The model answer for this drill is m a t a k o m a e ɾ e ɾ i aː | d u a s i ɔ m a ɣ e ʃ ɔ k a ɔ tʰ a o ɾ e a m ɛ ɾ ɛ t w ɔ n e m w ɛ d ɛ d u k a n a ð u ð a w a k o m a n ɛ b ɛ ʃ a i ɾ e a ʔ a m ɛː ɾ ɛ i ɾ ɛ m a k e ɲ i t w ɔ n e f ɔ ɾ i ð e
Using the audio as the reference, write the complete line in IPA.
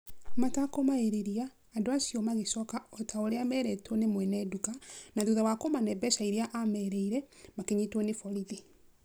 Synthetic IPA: m a t a k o m a e ɾ e ɾ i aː | d o a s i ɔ m a ɣ e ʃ ɔ k a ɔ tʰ a o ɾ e a m ɛ ɾ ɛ t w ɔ n e m w ɛ n ɛ d u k a n a ð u ð a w a k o m a n ɛ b ɛ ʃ a i ɾ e a ʔ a m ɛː ɾ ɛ i ɾ ɛ m a k e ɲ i t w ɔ n e f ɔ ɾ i ð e

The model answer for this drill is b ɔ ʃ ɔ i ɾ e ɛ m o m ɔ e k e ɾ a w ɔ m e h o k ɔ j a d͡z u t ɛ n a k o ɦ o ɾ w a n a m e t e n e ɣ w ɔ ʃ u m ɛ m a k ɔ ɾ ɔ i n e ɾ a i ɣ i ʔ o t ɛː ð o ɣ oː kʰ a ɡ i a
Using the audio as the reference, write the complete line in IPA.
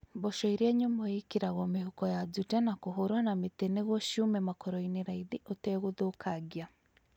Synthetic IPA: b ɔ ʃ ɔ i ɾ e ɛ ɲ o m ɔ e k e ɾ a ɣ ɔ m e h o k ɔ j a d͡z u t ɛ n a k o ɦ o ɾ w a n a m e t e n e ɣ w ɔ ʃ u m ɛ m a k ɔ ɾ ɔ i n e ɾ a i ð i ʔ o t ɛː ɣ o ð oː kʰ a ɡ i a

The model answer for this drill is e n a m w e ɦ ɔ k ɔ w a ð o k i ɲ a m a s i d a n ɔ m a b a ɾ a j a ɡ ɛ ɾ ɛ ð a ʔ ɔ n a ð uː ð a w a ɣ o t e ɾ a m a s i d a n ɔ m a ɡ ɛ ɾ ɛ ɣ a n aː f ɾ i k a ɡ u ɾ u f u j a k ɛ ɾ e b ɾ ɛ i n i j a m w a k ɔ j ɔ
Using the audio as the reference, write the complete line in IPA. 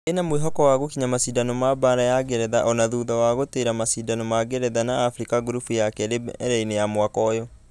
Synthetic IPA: e n a m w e ɦ ɔ k ɔ w a ɣ o k i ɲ a m a s i d a n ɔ m a b a ɾ a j a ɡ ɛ ɾ ɛ ð a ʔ ɔ n a ð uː ð a w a ɣ o t e ɾ a m a s i d a n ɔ m a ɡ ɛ ɾ ɛ ð a n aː f ɾ i k a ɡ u ɾ u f u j a k ɛ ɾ e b ɾ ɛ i n e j a m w a k ɔ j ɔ

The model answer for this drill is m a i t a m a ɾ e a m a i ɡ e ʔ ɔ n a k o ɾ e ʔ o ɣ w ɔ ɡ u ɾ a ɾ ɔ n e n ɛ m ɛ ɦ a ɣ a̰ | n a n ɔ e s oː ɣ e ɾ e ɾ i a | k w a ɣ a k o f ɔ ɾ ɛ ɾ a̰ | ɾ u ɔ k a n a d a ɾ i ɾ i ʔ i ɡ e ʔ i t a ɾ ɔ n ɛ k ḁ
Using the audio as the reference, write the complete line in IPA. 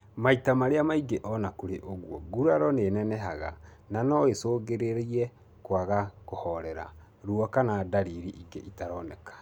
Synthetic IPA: m a i t a m a ɾ e a m a i ɡ e ʔ ɔ n a k o ɾ e ʔ o ɣ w ɔ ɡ u ɾ a ɾ ɔ n e n ɛ n ɛ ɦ a ɣ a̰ | n a n ɔ e s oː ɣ e ɾ e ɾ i ɛ | k w a ɣ a k o h ɔ ɾ ɛ ɾ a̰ | ɾ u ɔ k a n a d a ɾ i ɾ i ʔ i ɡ e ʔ i t a ɾ ɔ n ɛ k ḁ

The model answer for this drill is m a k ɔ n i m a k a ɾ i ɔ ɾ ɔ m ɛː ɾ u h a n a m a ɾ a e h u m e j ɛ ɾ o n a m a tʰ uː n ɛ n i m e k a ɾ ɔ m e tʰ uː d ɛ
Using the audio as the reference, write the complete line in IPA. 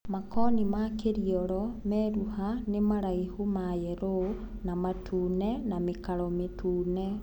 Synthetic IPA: m a k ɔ n i m a k e ɾ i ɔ ɾ ɔ m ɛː ɾ u h a n e m a ɾ a i h u m a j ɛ ɾ o n a m a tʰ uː n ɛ n a m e k a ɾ ɔ m e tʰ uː n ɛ

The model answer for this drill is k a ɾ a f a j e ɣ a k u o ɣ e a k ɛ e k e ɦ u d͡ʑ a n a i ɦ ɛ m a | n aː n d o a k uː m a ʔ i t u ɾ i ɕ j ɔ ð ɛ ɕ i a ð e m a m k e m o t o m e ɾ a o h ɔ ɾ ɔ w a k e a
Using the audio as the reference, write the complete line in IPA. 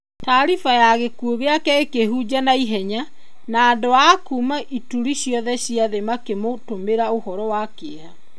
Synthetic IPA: t a ɾ i f a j a ɣ e k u o ɣ e a k ɛ e k e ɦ u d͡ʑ a n a i ɦ ɛ ɲ a | n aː n d o a k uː m a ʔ i t u ɾ i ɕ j ɔ ð ɛ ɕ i a ð e m a k e m o t o m e ɾ a o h ɔ ɾ ɔ w a k e a

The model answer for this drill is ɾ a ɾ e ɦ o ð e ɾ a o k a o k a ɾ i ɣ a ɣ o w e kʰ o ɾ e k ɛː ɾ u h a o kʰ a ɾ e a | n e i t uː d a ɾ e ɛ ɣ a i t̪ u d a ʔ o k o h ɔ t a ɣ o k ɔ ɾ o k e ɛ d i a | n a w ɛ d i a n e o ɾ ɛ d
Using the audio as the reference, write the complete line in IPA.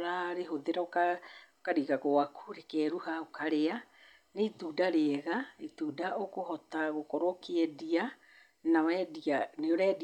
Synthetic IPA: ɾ a ɾ e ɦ o ð e ɾ a o k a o k a ɾ i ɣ a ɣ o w a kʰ u ɾ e k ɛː ɾ u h a o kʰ a ɾ e a | n e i t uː d a ɾ e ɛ ɣ a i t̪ u d a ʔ o k o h ɔ t a ɣ o k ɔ ɾ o k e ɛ d i a | n a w ɛ d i a n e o ɾ ɛ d

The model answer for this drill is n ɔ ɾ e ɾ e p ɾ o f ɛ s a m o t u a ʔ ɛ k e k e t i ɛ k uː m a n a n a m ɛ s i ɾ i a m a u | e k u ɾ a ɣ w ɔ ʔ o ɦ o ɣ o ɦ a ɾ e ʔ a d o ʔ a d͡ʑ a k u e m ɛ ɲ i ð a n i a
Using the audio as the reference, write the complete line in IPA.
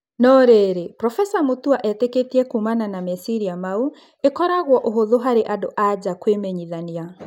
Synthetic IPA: n ɔ ɾ e ɾ e p ɾ ɔ f ɛ s a m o t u a ʔ ɛ t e k e t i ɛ k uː m a n a n a m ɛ s i ɾ i a m a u | e k ɔ ɾ a ɣ w ɔ ʔ o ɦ o ð o ɦ a ɾ e ʔ a d o ʔ a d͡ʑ a k w e m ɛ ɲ i ð a n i a

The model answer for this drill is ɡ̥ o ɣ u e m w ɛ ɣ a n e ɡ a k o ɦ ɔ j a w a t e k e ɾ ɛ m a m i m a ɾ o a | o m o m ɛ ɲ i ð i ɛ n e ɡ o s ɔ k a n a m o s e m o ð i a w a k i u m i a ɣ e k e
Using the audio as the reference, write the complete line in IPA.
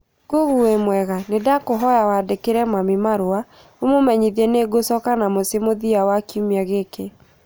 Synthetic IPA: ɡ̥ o ɣ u e m w ɛ ɣ a n e d a k o ɦ ɔ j a w a d e k e ɾ ɛ m a m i m a ɾ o a | o m o m ɛ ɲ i ð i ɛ n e ɡ o s ɔ k a n a m o s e m o ð i a w a k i u m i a ɣ e k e

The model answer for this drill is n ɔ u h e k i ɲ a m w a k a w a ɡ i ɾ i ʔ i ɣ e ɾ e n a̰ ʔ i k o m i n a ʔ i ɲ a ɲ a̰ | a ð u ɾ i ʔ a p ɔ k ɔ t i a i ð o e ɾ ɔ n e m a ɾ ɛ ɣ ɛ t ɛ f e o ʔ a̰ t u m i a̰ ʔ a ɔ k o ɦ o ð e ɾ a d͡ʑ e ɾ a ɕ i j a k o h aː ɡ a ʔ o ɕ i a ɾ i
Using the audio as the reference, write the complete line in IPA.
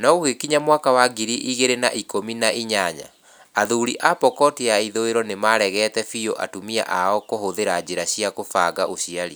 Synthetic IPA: n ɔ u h e k i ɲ a m w a k a w a ɡ i ɾ i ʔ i ɣ e ɾ e n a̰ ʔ i k o m i n a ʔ i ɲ a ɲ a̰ | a ð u ɾ i ʔ a p ɔ k ɔ t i a i ð o e ɾ ɔ n e m a ɾ ɛ ɣ ɛ t ɛ f i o ʔ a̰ t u m i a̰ ʔ a ɔ k o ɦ o ð e ɾ a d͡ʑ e ɾ a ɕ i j a k o f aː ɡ a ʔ o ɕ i a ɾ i

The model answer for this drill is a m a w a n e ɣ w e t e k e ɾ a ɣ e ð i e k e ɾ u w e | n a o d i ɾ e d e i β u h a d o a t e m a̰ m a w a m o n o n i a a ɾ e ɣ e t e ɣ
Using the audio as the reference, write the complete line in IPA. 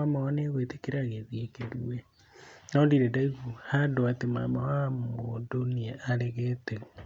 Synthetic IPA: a m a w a n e ɣ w e t e k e ɾ a ɣ e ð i e k e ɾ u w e | n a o d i ɾ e d a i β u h a d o a t e m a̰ m a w a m o d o n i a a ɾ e ɣ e t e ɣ

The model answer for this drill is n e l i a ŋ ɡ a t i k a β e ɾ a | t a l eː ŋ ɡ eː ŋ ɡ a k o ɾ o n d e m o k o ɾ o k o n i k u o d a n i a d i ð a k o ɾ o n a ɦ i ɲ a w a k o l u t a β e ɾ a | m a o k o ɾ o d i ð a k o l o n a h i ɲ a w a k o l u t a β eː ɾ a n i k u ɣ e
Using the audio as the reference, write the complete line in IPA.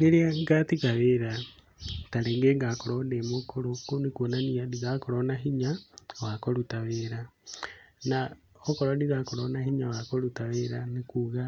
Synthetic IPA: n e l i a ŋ ɡ a t i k a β e ɾ a | t a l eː ŋ ɡ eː ŋ ɡ a k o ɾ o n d e m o k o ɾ o k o n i k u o n a n i a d i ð a k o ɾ o n a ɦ i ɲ a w a k o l u t a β e ɾ a | n a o k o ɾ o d i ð a k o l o n a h i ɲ a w a k o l u t a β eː ɾ a n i k u ɣ a

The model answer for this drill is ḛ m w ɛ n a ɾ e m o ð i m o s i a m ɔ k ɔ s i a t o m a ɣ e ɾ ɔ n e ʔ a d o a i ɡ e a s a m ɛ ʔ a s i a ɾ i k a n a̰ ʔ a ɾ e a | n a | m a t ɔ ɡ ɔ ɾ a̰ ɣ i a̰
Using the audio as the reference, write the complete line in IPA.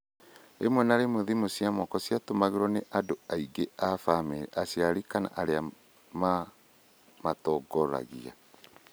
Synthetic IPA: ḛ m w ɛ n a ɾ e m o ð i m o s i a m ɔ k ɔ s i a t o m a ɣ e ɾ ɔ n e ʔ a d o a i ɡ e a f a m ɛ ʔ a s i a ɾ i k a n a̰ ʔ a ɾ e a | m a | m a t ɔ ɡ ɔ ɾ a̰ ɣ i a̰

